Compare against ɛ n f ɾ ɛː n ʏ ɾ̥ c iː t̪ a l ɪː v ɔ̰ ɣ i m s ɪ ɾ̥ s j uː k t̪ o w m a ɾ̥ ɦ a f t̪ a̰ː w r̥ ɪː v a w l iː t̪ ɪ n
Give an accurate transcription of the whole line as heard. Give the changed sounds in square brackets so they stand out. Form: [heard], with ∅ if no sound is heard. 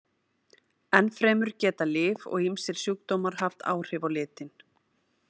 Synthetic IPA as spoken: ɛ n f ɾ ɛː [m] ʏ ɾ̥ c [ɛː] t̪ a l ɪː v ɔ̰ ɣ i m s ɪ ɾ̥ s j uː k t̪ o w m a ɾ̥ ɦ a f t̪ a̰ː w r̥ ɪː v a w l [ɪː] t̪ ɪ n

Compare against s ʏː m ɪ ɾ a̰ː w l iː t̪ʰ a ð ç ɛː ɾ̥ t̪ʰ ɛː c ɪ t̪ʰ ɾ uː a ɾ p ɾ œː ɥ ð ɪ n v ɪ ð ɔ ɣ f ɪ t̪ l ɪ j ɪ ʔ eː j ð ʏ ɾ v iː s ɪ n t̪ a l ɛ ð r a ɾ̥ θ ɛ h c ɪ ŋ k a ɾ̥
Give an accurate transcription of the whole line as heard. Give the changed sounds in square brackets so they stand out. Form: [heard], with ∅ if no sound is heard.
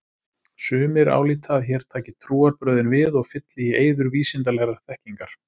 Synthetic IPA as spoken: s ʏː m ɪ ɾ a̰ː w l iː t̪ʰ a ð ç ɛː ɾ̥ t̪ʰ [aː] c ɪ t̪ʰ ɾ uː a ɾ p ɾ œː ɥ ð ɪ n v ɪ ð ɔ ɣ f ɪ t̪ l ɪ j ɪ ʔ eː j ð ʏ ɾ v iː s ɪ n t̪ a l ɛ [ɣ] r a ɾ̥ θ ɛ h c [i] ŋ k a ɾ̥

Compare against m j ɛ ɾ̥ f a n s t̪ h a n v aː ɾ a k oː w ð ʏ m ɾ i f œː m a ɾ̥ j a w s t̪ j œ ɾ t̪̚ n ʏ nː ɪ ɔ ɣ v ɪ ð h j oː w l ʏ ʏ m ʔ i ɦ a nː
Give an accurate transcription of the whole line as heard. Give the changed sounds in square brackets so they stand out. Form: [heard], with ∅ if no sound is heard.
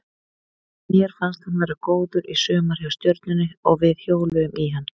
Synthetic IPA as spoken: m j ɛ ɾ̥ f a n s t̪ h a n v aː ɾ a k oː w ð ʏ [∅] ɾ i [s] œː m a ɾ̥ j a w s t̪ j œ ɾ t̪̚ n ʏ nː ɪ ɔ ɣ v ɪ ð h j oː w l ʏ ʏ m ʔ i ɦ a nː

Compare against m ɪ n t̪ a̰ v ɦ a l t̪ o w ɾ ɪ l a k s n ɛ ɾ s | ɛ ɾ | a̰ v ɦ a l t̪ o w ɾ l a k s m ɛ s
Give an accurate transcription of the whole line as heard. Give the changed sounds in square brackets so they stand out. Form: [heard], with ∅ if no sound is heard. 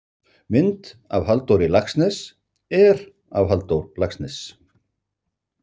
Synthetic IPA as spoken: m ɪ n t̪ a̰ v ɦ a l t̪ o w ɾ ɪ l a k s n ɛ [∅] s | ɛ ɾ | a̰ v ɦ a l t̪ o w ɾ l a k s [n] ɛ s

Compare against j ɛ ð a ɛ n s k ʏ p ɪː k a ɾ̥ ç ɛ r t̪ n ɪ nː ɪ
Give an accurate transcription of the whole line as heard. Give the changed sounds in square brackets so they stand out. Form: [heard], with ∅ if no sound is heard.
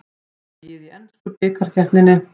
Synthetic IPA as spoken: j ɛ ð [i] ɛ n s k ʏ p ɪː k a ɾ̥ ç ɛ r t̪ n ɪ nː ɪ

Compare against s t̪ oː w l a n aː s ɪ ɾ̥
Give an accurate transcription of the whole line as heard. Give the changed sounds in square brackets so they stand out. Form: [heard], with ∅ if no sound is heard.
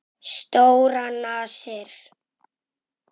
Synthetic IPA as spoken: s t̪ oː w [ɾ] a n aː s ɪ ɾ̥

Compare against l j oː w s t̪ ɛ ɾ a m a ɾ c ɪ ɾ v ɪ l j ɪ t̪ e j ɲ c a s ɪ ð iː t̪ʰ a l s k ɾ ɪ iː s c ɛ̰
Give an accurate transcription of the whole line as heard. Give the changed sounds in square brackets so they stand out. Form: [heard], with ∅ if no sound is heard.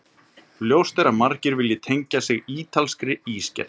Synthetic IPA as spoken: l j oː w s t̪ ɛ ɾ a m a ɾ c ɪ ɾ v ɪ l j ɪ [t̪ʰ] e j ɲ c a s ɪ [ɣ] iː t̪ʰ a l s k ɾ ɪ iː s c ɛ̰

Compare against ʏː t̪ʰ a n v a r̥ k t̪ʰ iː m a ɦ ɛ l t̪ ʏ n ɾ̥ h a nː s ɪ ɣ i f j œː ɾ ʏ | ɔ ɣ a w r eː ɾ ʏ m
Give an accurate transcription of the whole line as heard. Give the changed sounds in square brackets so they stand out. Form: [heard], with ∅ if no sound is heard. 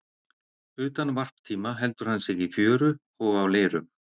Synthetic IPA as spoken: ʏː [t̪] a n v a r̥ [p] t̪ʰ iː m a ɦ ɛ l t̪ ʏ [∅] ɾ̥ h a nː s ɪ ɣ i f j œː ɾ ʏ | ɔ ɣ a w [l] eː ɾ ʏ m

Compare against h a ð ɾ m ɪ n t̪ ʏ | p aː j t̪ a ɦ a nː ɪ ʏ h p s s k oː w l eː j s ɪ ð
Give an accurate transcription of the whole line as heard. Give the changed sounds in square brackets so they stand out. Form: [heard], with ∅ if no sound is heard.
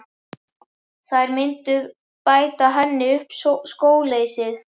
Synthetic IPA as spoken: [θ] a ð ɾ m ɪ n t̪ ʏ | p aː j t̪ a ɦ [ɛ] nː ɪ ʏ h p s s k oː w l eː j s ɪ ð

